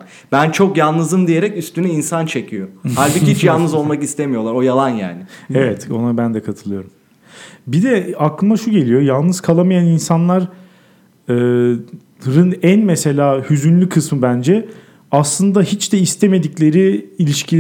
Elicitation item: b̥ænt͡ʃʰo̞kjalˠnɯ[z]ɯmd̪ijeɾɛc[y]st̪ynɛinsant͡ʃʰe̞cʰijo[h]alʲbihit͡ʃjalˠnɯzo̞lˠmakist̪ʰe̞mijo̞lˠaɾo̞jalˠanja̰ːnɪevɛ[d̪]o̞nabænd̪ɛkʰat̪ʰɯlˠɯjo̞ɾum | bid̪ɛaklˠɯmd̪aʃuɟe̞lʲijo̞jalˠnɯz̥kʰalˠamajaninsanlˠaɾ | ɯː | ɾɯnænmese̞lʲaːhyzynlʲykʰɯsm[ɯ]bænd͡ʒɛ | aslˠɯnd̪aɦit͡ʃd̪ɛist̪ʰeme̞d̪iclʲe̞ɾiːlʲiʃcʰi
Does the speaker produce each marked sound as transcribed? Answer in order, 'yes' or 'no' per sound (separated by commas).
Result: yes, yes, yes, no, yes